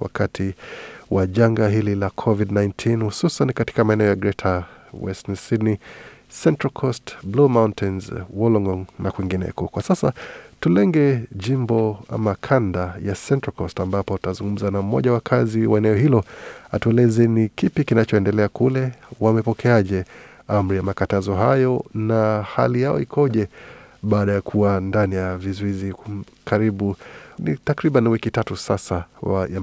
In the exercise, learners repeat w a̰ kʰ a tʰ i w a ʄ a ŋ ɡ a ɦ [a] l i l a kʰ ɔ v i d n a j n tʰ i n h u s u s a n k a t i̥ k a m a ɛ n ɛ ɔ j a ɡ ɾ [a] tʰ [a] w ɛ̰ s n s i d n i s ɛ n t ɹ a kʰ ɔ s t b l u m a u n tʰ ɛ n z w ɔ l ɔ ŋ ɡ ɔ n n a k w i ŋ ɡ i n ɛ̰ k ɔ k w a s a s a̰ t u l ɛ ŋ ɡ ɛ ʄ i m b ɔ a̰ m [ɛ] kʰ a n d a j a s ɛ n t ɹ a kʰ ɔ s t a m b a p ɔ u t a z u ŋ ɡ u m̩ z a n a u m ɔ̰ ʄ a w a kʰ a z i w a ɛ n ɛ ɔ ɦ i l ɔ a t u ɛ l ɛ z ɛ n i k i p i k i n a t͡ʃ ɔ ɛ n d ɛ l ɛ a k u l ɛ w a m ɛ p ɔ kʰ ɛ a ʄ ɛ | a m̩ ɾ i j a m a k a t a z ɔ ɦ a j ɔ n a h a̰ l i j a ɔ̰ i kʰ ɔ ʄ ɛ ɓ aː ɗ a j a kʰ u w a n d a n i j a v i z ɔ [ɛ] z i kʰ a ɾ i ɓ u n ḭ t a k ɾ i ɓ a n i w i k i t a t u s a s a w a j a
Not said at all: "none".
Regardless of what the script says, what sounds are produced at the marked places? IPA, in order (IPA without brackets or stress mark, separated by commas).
i, ɛ, a, a, i